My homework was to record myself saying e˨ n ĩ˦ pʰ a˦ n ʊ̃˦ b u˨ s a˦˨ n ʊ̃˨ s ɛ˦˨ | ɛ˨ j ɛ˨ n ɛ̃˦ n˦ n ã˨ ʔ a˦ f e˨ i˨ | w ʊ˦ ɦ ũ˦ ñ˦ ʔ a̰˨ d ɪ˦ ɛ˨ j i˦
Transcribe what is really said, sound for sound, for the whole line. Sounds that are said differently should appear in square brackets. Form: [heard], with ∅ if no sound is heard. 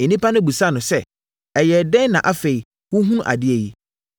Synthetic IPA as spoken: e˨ n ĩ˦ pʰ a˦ n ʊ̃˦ b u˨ s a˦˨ n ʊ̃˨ s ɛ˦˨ | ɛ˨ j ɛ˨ [d] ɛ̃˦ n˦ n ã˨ ʔ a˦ f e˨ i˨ | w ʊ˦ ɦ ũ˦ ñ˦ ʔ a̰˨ d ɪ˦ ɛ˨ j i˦